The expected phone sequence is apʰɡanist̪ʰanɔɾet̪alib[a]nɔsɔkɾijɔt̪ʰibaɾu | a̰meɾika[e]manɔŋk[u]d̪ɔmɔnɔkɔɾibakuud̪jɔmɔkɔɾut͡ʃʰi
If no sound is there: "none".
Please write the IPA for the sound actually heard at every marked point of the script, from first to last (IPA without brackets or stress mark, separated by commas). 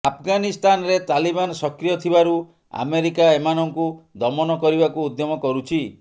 a, e, u